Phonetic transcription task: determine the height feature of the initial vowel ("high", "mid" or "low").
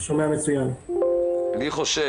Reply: mid